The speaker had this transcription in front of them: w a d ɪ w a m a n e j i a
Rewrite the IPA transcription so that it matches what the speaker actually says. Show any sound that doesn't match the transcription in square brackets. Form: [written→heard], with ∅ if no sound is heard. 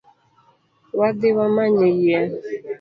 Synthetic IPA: w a d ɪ w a m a [n→ɲ] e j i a